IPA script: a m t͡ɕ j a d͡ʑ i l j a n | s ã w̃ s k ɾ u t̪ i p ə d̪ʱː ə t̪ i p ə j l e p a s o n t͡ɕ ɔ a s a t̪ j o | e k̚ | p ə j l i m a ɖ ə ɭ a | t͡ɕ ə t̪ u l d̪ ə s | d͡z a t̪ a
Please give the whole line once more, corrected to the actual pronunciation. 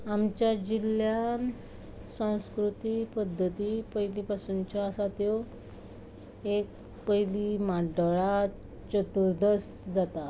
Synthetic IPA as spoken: a m t͡ɕ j a d͡ʑ i l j a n | s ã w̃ s k ɾ u t̪ i p ə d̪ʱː ə t̪ i p ə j l i p a s u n t͡ɕ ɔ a s a t̪ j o | e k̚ | p ə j l i m a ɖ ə ɭ a | t͡ɕ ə t̪ u ɾ d̪ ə s | d͡z a t̪ a